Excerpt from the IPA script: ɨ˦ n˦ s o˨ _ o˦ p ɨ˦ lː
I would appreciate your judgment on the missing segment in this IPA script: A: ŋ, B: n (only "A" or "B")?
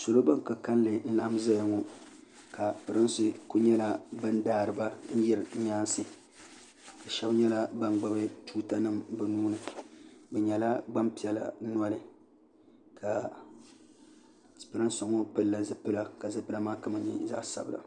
A